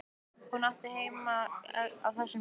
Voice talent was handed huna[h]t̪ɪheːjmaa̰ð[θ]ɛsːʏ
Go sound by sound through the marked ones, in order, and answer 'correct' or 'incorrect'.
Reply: correct, correct

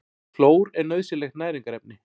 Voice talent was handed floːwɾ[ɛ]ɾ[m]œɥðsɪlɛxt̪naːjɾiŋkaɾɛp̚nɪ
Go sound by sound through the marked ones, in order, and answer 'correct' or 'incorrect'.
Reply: correct, incorrect

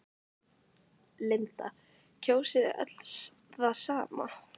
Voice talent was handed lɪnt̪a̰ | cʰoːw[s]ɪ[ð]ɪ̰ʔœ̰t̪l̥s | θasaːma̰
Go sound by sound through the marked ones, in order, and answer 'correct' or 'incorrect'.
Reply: correct, correct

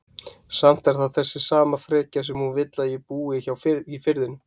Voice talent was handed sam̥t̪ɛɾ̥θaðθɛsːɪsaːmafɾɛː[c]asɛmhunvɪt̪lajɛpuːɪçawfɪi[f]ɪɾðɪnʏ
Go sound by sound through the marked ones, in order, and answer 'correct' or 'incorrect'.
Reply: correct, correct

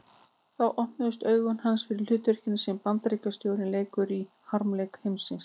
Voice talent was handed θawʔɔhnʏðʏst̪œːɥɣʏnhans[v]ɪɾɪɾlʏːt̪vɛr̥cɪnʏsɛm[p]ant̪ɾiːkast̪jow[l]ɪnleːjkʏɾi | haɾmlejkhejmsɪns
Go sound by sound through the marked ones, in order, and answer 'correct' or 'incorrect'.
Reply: incorrect, correct, incorrect

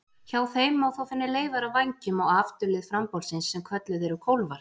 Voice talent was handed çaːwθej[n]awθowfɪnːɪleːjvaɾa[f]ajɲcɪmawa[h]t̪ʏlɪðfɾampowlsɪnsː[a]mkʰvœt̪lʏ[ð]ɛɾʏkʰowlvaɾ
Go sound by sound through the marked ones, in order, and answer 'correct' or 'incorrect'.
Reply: incorrect, incorrect, incorrect, incorrect, correct

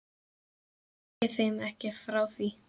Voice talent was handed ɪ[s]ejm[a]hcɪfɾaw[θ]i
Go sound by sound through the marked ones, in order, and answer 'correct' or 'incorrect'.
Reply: incorrect, incorrect, correct

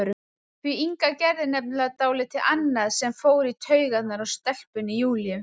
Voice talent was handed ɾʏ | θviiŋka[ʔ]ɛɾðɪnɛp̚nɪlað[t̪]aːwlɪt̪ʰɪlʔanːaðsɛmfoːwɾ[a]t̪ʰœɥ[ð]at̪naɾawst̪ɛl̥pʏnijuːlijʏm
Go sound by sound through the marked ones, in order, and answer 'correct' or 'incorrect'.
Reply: incorrect, correct, incorrect, incorrect

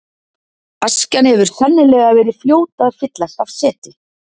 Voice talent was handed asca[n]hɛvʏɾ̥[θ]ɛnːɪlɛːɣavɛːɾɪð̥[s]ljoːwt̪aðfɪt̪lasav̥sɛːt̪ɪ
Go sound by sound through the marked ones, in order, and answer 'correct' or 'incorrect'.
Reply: correct, correct, incorrect

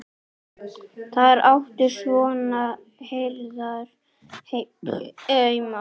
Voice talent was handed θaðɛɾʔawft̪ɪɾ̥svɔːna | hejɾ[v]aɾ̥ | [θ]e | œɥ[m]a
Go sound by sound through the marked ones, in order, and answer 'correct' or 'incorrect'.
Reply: incorrect, incorrect, correct

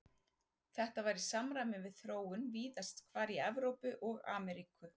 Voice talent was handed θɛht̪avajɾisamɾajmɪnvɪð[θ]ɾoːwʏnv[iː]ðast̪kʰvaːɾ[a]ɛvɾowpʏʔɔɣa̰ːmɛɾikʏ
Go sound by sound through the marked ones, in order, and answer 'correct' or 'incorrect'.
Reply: correct, correct, incorrect

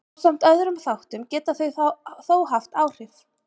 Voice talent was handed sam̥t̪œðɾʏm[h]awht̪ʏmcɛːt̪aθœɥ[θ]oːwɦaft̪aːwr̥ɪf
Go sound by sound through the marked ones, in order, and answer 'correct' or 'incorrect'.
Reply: incorrect, correct

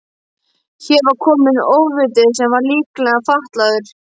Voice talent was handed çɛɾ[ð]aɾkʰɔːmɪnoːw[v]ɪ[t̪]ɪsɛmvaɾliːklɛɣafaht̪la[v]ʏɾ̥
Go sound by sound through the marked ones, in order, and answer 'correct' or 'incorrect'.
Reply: incorrect, correct, correct, incorrect

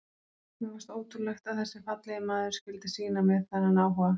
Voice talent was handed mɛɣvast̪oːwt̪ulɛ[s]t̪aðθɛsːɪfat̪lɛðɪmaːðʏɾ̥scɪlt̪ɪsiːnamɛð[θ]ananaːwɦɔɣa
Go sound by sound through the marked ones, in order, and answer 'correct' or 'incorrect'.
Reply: incorrect, correct

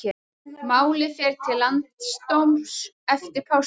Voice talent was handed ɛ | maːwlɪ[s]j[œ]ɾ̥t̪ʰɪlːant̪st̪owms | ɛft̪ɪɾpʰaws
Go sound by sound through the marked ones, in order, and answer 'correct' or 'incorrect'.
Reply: incorrect, incorrect

